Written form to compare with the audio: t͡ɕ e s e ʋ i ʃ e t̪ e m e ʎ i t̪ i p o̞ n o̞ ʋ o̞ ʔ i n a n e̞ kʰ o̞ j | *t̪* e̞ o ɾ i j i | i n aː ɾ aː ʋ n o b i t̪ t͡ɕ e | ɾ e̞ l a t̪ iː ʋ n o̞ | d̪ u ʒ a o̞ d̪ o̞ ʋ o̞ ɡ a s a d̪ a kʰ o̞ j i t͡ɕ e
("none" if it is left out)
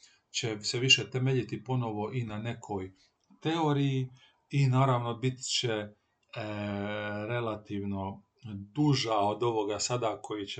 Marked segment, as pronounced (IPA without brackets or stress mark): t̪